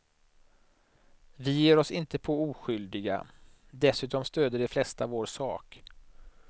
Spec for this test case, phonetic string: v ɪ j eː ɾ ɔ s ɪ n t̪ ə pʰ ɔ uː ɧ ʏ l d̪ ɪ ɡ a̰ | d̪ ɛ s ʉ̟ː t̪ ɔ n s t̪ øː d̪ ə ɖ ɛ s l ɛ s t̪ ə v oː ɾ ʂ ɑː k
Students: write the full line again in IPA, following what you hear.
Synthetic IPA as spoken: v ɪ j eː ɾ ɔ s ɪ n t̪ ə pʰ ɔ uː ɧ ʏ l d̪ ɪ ɡ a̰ | d̪ ɛ s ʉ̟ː t̪ ɔ m s t̪ øː d̪ ə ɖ ɛ f l ɛ s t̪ a v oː ɾ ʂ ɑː k